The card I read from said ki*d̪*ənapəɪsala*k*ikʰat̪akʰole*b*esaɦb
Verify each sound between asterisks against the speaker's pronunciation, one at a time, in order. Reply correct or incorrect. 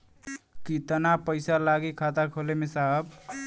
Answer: incorrect, incorrect, incorrect

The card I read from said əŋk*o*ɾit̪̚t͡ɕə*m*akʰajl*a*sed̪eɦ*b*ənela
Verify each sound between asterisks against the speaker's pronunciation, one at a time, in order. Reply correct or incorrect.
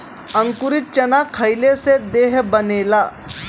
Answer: incorrect, incorrect, incorrect, correct

